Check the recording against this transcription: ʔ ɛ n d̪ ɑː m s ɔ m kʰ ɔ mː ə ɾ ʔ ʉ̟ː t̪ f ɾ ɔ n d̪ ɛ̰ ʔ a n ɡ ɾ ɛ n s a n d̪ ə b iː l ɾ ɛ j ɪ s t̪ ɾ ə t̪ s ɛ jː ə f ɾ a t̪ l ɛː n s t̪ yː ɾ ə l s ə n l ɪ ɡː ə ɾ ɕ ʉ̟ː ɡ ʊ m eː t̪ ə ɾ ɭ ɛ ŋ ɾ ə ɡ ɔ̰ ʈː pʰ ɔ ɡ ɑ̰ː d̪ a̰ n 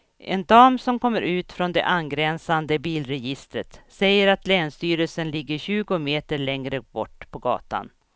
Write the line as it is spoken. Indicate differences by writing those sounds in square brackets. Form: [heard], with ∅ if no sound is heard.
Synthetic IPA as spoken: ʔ ɛ n d̪ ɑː m s ɔ m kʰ ɔ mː ə ɾ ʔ ʉ̟ː t̪ f ɾ ɔ n d̪ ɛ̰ ʔ a n ɡ ɾ ɛ n s a n d̪ ə b iː l ɾ ɛ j ɪ s t̪ ɾ ə t̪ s ɛ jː ə [∅] ɾ a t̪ l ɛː n s t̪ yː ɾ ə l s ə n l ɪ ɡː ə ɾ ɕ ʉ̟ː ɡ ʊ m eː t̪ ə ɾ ɭ ɛ ŋ ɾ ə [b] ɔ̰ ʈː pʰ ɔ ɡ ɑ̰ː [t̪] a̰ n